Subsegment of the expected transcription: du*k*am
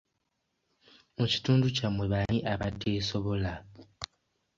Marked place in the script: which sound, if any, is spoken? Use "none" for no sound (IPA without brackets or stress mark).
c